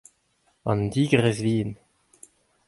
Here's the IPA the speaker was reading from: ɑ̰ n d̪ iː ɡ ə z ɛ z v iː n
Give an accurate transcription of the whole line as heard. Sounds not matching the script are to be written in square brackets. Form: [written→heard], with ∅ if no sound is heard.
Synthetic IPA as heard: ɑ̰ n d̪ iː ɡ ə [z→ʁ] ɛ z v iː n